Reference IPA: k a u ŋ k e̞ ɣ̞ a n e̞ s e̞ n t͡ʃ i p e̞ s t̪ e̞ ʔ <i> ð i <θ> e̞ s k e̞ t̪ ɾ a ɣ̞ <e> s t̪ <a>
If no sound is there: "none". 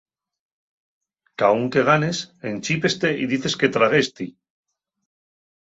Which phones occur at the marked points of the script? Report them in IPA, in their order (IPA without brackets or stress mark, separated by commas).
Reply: i, θ, e, i